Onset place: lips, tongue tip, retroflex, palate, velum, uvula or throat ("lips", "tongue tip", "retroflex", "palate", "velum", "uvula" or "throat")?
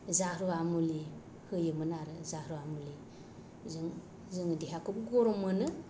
tongue tip